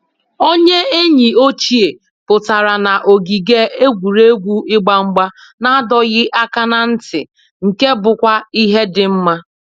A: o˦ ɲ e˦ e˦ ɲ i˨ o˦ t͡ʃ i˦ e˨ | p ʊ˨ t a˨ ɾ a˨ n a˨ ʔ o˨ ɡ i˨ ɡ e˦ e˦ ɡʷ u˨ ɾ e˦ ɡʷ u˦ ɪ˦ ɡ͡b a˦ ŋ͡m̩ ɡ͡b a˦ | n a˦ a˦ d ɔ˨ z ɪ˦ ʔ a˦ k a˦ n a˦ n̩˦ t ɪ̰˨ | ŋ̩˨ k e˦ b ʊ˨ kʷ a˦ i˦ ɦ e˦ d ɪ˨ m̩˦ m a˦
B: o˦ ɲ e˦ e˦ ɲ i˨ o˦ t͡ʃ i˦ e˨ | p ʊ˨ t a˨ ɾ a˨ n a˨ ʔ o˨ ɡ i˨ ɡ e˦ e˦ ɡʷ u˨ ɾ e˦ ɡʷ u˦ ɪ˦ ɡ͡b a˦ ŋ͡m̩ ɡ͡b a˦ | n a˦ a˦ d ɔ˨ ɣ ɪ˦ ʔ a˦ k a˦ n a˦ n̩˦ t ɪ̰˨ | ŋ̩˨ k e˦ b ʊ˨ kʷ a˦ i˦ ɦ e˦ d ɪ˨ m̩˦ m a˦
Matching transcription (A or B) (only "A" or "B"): B